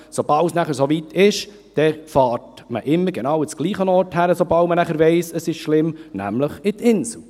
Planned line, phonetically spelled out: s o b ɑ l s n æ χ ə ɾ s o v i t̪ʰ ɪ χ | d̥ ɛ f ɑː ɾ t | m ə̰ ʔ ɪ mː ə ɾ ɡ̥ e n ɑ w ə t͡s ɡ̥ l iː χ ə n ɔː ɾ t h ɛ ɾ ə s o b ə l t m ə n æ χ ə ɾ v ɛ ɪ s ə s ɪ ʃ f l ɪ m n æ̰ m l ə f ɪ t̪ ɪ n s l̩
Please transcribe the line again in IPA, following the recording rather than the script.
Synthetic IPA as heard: s o b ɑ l s n æ χ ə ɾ s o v i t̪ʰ ɪ ʃ | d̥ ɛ f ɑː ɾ t | m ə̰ ʔ ɪ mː ə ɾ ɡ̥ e n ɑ w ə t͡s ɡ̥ l iː χ ə n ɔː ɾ t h æ ɾ ə s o b ɑ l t m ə n æ χ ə ɾ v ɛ ɪ s ə s ɪ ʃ ʃ l ɪ m n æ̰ m l ə χ ɪ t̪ ɪ n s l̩